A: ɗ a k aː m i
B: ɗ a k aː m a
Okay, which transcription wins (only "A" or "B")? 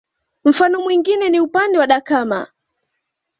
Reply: B